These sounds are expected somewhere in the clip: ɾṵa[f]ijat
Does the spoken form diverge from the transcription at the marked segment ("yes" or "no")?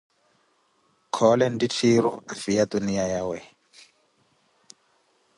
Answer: no